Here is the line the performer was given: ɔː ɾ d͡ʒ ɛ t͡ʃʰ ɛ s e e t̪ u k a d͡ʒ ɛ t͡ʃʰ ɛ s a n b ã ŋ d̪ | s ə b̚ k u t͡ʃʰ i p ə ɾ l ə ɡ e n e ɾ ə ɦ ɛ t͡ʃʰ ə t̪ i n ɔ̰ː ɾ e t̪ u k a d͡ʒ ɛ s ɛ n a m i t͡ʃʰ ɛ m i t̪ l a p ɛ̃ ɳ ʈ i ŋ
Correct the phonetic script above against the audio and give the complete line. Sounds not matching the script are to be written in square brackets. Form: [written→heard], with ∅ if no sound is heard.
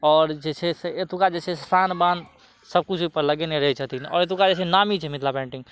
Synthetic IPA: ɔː ɾ d͡ʒ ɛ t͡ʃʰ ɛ s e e t̪ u k a d͡ʒ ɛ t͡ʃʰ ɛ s a n b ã [ŋ→n] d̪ | s ə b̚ k u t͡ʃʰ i p ə ɾ l ə ɡ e n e ɾ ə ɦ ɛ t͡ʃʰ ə t̪ i n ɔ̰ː ɾ e t̪ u k a d͡ʒ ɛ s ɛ n a m i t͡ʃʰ ɛ m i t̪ l a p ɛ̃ ɳ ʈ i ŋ